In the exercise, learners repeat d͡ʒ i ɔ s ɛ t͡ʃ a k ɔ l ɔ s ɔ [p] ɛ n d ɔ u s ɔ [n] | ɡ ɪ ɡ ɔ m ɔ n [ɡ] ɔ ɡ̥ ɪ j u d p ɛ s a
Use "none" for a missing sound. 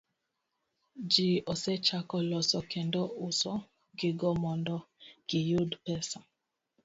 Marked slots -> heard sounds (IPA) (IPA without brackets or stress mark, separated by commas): k, none, d